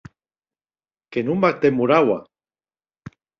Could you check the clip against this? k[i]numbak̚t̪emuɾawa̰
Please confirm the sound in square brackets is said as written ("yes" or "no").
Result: no